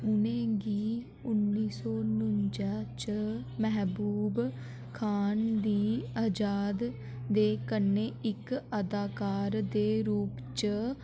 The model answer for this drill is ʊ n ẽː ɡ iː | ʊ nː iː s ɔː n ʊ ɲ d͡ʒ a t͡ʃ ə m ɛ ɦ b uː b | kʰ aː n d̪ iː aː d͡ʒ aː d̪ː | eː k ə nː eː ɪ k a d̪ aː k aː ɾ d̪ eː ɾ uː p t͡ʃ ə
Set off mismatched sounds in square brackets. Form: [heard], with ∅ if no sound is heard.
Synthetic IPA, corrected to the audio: ʊ n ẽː ɡ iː | ʊ nː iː s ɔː n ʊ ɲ d͡ʒ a t͡ʃ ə m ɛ ɦ b uː b | kʰ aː n d̪ iː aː d͡ʒ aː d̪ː | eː k ə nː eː ɪ k [ə] d̪ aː k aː ɾ d̪ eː ɾ uː p t͡ʃ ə